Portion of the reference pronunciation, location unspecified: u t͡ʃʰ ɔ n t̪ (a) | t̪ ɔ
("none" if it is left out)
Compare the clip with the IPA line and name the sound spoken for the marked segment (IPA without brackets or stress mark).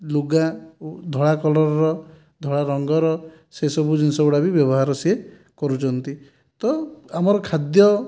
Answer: i